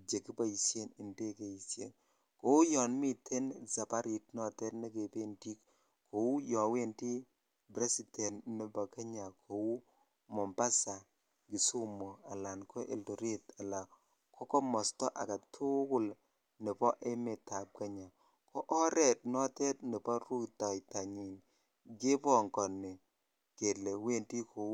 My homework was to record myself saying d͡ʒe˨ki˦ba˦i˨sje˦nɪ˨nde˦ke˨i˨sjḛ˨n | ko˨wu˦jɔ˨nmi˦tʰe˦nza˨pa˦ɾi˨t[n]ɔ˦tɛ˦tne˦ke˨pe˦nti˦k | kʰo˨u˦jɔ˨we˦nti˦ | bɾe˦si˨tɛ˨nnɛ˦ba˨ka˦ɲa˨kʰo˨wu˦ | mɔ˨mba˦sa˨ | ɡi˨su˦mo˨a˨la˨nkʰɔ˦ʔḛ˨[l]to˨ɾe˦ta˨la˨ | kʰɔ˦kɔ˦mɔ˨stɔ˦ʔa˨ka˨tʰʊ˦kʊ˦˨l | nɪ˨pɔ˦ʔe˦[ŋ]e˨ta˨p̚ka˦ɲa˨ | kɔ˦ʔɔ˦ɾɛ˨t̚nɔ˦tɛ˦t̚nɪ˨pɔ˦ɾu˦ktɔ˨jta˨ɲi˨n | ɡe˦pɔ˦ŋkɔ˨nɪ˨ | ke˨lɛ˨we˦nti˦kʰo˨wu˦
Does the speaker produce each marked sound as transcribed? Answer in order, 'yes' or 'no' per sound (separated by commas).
yes, yes, no